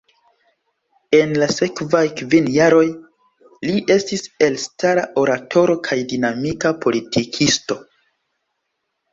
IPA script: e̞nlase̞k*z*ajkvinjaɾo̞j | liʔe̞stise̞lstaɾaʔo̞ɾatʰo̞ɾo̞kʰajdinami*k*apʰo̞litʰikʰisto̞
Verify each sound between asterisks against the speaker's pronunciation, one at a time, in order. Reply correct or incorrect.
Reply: incorrect: v, correct

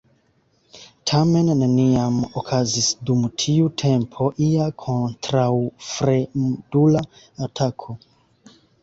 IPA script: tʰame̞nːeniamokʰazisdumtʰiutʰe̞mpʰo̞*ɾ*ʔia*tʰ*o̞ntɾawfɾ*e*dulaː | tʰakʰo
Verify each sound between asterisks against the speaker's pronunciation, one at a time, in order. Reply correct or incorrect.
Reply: incorrect: none, incorrect: kʰ, correct

